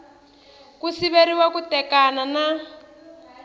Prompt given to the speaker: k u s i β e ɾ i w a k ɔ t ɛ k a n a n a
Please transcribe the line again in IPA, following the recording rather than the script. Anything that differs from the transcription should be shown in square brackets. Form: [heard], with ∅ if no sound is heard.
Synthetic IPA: k u s i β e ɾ i w a k [u] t ɛ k a n a n a